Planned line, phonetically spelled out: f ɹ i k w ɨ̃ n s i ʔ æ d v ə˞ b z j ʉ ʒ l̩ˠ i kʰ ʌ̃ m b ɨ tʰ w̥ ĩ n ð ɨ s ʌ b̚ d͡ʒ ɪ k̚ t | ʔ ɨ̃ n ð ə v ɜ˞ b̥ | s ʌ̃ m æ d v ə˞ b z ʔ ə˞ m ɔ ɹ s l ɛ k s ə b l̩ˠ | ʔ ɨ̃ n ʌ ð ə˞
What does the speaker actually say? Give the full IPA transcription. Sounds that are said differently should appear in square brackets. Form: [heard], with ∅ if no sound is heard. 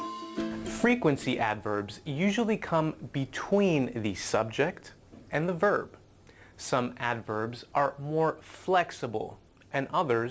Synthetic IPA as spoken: f ɹ i k w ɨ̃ n s i ʔ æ d v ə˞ b z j ʉ ʒ l̩ˠ i kʰ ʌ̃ m b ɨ tʰ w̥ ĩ n ð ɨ s ʌ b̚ d͡ʒ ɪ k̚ t | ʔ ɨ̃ n ð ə v ɜ˞ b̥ | s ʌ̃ m æ d v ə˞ b z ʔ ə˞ m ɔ ɹ [f] l ɛ k s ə b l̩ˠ | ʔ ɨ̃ n ʌ ð ə˞